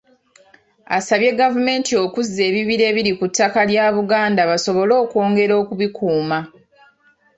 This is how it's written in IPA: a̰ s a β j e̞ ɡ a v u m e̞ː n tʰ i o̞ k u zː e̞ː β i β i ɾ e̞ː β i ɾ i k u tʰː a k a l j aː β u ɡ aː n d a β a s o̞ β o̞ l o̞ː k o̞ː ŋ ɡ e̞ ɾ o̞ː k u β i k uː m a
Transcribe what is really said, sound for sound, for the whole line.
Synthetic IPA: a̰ s a β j e̞ ɡ a v u m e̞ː n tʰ i o̞ k u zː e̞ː β i β i ɾ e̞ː β i ɾ i k u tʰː a k a l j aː β u ɡ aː n d a β a s o̞ β o̞ l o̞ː k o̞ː ŋ ɡ e̞ ɾ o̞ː k u β i k uː m a